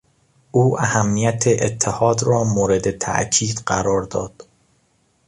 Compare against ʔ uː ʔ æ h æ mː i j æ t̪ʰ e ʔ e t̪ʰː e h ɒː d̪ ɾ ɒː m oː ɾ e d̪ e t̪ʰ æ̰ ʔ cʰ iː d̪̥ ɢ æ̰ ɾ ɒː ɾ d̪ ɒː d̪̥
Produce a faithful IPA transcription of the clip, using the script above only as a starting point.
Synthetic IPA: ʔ uː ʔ æ h æ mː i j æ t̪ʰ e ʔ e t̪ʰː e h ɒː d̪ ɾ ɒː m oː ɾ e d̪ e t̪ʰ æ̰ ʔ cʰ iː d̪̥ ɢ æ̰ ɾ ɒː ɾ d̪ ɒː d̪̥